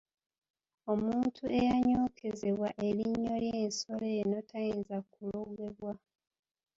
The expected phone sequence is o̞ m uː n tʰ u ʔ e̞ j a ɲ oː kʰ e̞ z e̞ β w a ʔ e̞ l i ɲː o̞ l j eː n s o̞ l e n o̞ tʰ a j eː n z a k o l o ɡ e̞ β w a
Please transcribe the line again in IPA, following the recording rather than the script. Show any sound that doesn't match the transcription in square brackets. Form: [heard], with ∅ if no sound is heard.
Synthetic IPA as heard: o̞ m uː n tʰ u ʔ e̞ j a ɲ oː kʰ e̞ z e̞ β w a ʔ e̞ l i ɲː o̞ l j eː n s o̞ l e n o̞ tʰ a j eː n z a k [u] l o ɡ e̞ β w a